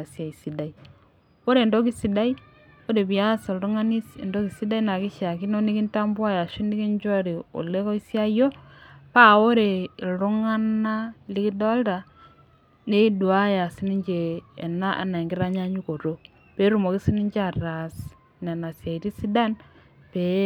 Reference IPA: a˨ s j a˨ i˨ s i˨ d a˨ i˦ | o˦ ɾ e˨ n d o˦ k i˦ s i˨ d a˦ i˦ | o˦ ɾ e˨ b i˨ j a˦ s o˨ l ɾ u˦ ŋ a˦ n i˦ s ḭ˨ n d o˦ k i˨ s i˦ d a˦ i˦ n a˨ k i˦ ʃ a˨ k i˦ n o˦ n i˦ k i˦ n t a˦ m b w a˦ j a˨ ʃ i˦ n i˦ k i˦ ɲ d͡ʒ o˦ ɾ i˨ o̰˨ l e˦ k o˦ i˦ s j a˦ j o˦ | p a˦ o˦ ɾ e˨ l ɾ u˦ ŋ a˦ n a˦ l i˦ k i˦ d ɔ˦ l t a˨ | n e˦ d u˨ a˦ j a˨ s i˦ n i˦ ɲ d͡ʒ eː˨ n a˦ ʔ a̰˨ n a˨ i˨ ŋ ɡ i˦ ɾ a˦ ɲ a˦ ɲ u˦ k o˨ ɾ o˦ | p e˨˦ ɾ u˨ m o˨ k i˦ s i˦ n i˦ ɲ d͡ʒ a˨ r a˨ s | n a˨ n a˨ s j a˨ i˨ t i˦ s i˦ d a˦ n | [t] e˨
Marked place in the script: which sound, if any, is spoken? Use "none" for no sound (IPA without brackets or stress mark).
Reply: p